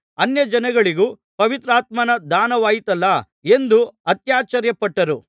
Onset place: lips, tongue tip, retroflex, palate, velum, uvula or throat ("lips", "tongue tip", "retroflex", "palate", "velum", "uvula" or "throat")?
tongue tip